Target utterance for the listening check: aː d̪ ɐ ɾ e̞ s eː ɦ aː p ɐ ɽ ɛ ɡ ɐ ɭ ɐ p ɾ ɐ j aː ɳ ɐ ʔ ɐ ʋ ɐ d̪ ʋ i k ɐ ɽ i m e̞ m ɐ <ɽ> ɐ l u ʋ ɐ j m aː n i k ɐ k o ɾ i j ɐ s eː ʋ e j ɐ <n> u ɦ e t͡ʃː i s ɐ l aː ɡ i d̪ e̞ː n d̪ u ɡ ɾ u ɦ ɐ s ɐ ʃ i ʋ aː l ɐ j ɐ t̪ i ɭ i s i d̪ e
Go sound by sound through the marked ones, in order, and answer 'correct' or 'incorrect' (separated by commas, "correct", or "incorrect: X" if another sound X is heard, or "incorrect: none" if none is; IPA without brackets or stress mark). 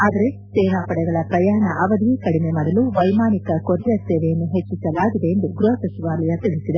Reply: correct, incorrect: nː